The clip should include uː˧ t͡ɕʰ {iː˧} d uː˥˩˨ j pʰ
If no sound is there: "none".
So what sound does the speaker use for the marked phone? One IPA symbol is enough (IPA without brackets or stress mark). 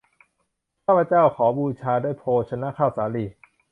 aː˧